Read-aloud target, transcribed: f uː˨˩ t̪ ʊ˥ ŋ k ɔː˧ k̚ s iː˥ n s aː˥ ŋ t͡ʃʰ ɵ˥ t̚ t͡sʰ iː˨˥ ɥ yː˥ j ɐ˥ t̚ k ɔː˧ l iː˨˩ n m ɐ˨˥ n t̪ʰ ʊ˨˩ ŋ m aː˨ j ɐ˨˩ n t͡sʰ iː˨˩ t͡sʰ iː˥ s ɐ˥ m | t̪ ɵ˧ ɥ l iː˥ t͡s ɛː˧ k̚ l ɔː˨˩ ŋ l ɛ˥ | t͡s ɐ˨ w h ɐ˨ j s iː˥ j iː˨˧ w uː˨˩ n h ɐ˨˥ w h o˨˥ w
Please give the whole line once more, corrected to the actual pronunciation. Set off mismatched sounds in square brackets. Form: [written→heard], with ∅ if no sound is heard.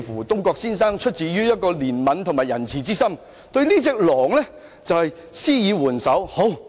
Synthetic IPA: f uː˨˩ t̪ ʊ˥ ŋ k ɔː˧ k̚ s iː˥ n s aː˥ ŋ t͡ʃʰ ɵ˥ t̚ [t͡sʰ→t͡s] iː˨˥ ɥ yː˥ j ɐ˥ t̚ k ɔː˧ l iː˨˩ n m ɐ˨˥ n t̪ʰ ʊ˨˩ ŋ m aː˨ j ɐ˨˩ n t͡sʰ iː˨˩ [t͡sʰ→t͡s] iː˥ s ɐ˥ m | t̪ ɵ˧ ɥ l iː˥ t͡s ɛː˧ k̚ l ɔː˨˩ ŋ l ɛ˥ | t͡s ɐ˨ w h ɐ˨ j s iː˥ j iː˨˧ w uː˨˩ n [h→s] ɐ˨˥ w h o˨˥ w